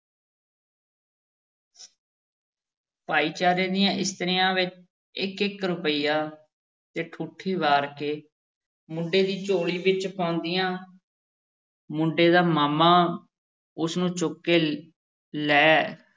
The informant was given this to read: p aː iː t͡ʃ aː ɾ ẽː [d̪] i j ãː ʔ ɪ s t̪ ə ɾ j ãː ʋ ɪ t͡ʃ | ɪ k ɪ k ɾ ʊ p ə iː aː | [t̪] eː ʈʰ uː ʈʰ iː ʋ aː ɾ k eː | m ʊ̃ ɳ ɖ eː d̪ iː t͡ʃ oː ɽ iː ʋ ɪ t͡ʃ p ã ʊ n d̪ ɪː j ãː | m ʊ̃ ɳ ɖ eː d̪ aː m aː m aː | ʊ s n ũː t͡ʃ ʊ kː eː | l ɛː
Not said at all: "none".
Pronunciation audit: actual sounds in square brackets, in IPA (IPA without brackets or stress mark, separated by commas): d̪, t̪